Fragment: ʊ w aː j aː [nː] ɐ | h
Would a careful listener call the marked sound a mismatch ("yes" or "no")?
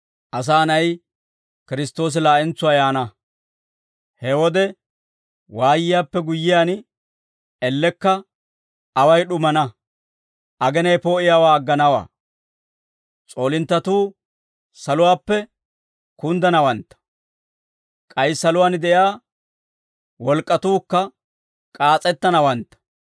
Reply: yes